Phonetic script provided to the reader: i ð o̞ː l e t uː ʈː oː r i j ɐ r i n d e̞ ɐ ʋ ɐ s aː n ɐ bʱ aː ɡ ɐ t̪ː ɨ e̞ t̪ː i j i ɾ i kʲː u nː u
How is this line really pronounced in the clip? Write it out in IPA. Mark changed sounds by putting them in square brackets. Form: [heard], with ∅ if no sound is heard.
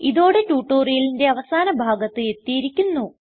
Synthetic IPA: i ð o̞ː [ɽ] e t uː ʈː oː r i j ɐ [l] i n d e̞ ɐ ʋ ɐ s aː n ɐ bʱ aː ɡ ɐ t̪ː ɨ e̞ t̪ː i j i ɾ i kʲː u nː u